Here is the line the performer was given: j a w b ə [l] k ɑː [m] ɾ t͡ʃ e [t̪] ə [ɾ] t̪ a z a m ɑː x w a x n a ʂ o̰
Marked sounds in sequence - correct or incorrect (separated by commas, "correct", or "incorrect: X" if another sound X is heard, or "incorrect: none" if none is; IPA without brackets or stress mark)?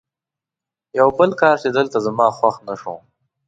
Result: correct, incorrect: none, incorrect: d̪, incorrect: l